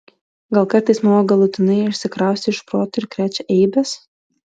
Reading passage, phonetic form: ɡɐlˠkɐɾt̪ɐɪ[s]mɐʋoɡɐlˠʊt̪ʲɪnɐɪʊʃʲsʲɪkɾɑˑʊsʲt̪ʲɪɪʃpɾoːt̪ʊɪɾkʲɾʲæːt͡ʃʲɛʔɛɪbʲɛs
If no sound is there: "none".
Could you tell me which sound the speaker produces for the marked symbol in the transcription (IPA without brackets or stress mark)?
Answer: s